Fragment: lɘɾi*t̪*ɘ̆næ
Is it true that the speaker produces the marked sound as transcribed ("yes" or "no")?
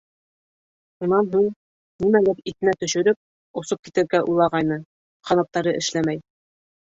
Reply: yes